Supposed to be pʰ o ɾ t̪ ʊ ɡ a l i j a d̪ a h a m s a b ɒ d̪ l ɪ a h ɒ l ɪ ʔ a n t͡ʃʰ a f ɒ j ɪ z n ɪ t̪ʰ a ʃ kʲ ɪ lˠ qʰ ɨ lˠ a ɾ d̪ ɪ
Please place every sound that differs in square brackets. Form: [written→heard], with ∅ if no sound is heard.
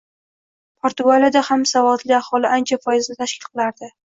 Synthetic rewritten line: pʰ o ɾ t̪ ʊ ɡ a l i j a d̪ a h a m s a [b→v] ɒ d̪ l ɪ a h ɒ l ɪ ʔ a n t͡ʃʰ a f ɒ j ɪ z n ɪ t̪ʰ a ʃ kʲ ɪ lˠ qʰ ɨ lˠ a ɾ d̪ ɪ